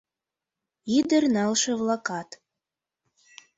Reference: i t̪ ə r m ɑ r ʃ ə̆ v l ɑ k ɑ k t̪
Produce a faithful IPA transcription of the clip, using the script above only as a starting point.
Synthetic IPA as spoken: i d̪ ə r n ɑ l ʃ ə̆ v l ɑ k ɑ t̪

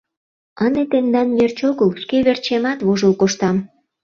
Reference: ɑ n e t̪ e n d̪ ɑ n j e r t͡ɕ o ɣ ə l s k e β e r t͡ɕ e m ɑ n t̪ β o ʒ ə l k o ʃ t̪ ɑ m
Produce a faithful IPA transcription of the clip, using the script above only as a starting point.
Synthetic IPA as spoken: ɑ n e t̪ e n d̪ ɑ n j e r t͡ɕ o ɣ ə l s k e β e r t͡ɕ e m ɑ t̪ β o ʒ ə l k o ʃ t̪ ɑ m

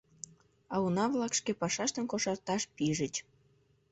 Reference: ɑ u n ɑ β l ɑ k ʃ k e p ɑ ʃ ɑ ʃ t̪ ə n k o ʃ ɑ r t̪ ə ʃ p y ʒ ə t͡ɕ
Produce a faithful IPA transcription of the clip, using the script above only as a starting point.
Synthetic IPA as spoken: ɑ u n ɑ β l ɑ k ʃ k e p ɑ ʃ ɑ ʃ t̪ ə n k o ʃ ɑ r t̪ ɑ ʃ p i ʒ ə t͡ɕ

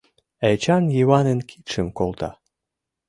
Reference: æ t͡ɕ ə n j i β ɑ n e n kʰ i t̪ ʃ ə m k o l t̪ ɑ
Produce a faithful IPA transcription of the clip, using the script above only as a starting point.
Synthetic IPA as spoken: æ t͡ɕ ɑ n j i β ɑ n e n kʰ i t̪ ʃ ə m k o l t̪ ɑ

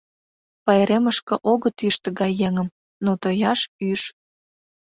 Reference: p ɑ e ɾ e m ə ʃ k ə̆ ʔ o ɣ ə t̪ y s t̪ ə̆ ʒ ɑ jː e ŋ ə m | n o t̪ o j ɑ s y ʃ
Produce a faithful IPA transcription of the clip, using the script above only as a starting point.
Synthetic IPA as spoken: p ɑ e ɾ e m ə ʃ k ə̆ ʔ o ɣ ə t̪ y ʃ t̪ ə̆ ɣ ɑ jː e ŋ ə m | n o t̪ o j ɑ ʃ y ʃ

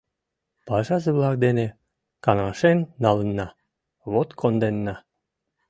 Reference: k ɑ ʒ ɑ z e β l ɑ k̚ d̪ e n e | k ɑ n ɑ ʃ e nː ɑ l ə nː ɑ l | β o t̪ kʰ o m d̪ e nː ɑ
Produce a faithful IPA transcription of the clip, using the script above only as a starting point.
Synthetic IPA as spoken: p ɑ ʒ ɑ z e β l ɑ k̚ d̪ e n e | k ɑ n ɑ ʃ e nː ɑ l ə nː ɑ | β o t̪ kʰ o n d̪ e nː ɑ

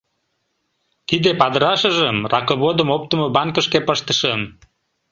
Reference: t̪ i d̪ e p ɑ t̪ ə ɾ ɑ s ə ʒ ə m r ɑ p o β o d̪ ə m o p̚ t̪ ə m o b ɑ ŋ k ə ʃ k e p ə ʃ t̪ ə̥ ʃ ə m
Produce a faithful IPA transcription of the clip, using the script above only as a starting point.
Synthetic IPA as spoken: t̪ i d̪ e p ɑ d̪ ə ɾ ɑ ʃ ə ʒ ə m r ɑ k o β o d̪ ə m o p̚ t̪ ə m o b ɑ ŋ k ə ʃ k e p ə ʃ t̪ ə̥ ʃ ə m

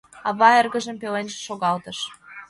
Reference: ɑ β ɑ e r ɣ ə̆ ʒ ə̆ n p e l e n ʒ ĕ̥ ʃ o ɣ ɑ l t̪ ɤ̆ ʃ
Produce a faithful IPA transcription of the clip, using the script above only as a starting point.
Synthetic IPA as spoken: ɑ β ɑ e r ɣ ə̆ ʒ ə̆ m p e l e n ʒ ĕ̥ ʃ o ɣ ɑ l t̪ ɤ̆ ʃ

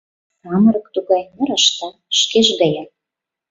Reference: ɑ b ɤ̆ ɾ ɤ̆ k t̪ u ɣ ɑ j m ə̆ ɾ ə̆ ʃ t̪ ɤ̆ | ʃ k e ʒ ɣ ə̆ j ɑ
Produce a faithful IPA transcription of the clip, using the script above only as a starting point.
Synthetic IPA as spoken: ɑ m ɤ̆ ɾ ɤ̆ k t̪ u ɣ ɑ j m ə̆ ɾ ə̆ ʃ t̪ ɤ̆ | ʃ k e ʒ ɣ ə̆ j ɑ

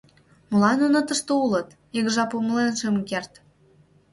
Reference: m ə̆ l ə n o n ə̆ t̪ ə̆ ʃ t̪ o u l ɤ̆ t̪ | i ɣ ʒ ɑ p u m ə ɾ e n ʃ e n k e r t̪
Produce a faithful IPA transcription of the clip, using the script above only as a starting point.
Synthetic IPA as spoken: m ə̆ l ɑ n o n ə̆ t̪ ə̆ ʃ t̪ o u l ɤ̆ t̪ | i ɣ ʒ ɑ p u m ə l e n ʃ e m k e r t̪

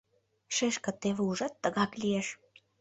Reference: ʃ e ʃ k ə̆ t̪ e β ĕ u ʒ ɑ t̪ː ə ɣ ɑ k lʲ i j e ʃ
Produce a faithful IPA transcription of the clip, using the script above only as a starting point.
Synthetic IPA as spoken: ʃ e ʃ k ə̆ t̪ e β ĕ u ʒ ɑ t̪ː ə ɣ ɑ k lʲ i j e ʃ

